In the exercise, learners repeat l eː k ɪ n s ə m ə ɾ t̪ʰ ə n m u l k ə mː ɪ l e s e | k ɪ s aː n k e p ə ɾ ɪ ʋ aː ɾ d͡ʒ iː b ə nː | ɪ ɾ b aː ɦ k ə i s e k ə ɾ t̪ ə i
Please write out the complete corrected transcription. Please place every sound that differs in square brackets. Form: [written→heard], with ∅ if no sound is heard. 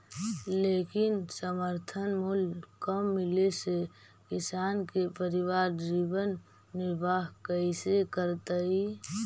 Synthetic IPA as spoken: l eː k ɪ n s ə m ə ɾ t̪ʰ ə n m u l k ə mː ɪ l e s e | k ɪ s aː n k e p ə ɾ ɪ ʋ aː ɾ d͡ʒ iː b ə nː | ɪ ɾ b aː ɦ k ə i s e k ə ɾ t̪ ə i